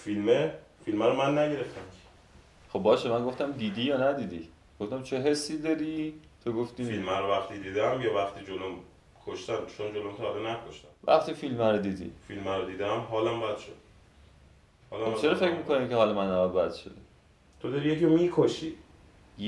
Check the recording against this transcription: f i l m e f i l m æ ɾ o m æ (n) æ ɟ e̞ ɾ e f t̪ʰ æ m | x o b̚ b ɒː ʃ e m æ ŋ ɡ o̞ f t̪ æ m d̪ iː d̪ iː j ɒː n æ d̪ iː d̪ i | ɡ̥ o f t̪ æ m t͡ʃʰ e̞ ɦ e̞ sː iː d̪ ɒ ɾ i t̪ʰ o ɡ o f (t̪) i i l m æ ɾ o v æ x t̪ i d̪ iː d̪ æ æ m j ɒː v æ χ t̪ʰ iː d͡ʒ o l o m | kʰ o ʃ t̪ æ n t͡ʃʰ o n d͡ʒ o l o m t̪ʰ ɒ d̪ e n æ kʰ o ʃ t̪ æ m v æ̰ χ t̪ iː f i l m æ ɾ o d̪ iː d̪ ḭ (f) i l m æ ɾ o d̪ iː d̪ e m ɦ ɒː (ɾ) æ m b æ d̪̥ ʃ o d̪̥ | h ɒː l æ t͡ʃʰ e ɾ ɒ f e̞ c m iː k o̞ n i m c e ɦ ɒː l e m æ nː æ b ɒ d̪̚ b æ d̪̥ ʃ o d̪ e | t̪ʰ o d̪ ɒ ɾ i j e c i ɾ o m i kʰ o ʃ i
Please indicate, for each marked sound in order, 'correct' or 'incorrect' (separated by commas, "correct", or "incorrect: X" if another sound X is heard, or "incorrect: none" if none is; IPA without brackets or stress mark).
incorrect: nː, correct, correct, incorrect: l